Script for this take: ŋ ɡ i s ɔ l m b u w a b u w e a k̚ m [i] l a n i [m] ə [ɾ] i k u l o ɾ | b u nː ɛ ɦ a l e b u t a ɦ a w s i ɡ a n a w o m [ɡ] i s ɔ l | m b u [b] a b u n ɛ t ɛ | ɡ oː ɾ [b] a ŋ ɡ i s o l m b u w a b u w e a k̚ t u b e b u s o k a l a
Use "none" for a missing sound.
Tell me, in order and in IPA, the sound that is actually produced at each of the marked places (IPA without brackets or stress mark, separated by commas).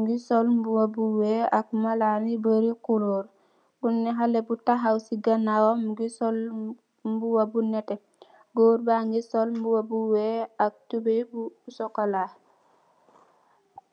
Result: a, b, ɾ, ɡ, w, b